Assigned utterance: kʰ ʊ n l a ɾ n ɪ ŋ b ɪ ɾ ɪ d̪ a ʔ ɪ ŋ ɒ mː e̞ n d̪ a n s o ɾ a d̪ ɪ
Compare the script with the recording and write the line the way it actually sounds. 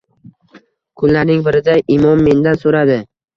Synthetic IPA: kʰ ʊ n l a ɾ n ɪ ŋ b ɪ ɾ ɪ d̪ a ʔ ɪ m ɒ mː e̞ n d̪ a n s o ɾ a d̪ ɪ

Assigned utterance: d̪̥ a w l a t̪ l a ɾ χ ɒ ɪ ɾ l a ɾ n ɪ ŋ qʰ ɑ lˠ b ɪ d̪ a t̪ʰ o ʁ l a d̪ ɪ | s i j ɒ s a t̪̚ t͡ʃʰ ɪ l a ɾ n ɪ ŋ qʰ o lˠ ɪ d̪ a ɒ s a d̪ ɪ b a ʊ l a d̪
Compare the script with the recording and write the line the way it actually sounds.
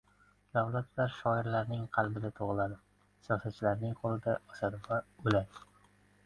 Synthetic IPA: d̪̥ a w l a t̪ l a ɾ ʃ ɒ ɪ ɾ l a ɾ n ɪ ŋ qʰ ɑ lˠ b ɪ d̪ a t̪ʰ o ʁ l a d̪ ɪ | s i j ɒ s a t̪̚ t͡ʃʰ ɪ l a ɾ n ɪ ŋ qʰ o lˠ ɪ d̪ a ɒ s a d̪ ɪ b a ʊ l a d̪

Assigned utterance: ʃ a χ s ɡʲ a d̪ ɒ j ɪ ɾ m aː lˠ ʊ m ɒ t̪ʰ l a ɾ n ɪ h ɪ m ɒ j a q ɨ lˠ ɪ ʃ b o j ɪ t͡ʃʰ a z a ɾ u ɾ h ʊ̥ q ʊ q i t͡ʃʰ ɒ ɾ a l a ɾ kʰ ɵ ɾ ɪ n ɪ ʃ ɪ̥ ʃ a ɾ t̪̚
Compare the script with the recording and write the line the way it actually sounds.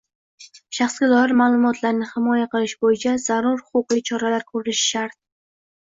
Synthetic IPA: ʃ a χ s ɡʲ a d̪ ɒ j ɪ ɾ m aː lˠ ʊ m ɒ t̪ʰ l a ɾ n ɪ h ɪ m ɒ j a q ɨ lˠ ɪ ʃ b o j ɪ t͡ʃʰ a z a ɾ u ɾ h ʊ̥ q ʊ q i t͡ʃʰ ɒ ɾ a l a ɾ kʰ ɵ ɾ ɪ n ɪ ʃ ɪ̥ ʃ a ɾ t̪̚

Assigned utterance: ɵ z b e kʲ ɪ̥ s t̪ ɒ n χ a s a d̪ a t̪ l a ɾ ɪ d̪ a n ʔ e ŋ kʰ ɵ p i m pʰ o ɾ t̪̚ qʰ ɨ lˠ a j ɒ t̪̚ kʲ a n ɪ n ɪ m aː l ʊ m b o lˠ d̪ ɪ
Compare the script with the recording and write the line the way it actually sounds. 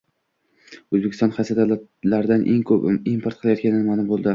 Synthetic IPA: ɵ z b e kʲ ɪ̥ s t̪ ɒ n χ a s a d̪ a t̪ l a ɾ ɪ d̪ a n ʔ e ŋ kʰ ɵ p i m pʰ o ɾ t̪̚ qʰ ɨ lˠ a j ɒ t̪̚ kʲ a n ɪ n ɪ m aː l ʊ m b o lˠ d̪ ɪ

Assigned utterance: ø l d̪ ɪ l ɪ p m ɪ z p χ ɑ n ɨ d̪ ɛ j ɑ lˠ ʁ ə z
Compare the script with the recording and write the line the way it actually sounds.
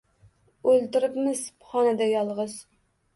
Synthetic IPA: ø l t̪ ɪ ɾ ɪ p m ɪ z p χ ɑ n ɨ d̪ ɛ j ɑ lˠ ʁ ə z

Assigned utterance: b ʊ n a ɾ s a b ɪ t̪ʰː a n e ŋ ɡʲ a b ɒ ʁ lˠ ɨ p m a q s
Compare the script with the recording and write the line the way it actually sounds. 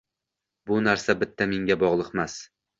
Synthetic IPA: b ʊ n a ɾ s a b ɪ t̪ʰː a m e ŋ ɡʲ a b ɒ ʁ lˠ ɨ q m a s

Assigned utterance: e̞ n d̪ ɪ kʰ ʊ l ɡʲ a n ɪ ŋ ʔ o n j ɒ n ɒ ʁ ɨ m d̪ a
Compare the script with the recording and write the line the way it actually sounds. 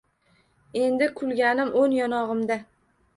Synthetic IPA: e̞ n d̪ ɪ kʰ ʊ l ɡʲ a n ɪ m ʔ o n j ɒ n ɒ ʁ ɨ m d̪ a

